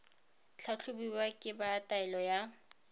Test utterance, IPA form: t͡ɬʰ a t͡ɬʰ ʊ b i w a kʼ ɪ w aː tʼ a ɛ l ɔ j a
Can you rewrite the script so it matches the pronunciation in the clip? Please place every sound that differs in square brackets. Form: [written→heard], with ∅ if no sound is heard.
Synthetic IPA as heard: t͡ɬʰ a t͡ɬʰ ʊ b i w a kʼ ɪ [w→b] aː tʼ a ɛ l ɔ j a